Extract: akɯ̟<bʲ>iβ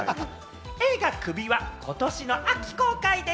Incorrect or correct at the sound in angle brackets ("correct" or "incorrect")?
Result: correct